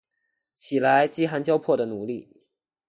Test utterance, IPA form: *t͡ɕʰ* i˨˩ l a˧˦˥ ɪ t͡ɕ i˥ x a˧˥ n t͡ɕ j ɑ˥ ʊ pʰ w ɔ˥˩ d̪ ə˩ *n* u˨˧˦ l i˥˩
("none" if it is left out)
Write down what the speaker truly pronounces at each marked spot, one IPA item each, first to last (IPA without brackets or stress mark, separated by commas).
t͡ɕʰ, n